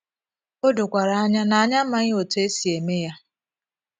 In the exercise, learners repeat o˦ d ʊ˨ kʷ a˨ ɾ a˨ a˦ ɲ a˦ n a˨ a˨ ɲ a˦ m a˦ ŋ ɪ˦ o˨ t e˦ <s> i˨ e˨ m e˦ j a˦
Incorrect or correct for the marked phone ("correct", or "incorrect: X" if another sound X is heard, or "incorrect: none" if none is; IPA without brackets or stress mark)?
correct